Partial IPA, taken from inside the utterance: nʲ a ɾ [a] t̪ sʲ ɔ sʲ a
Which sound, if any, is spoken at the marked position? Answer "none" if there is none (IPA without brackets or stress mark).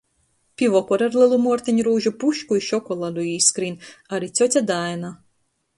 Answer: i